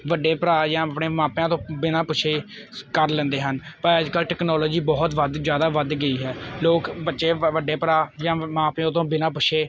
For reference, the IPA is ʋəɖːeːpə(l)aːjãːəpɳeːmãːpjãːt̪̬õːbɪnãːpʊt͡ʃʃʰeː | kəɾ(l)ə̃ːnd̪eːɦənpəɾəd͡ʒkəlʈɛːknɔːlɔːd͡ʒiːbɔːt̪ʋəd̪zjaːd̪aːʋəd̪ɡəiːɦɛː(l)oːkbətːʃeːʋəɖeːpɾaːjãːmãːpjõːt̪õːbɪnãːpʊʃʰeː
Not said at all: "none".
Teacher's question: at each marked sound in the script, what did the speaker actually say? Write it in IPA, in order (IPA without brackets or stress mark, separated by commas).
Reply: ɾ, l, l